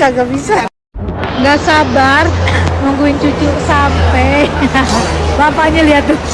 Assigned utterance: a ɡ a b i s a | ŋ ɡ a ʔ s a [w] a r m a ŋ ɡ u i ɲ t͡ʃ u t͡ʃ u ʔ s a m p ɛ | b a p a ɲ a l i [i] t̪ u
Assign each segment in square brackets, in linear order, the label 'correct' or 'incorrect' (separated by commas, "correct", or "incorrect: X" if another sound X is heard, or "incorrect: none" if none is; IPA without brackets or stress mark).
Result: incorrect: b, incorrect: a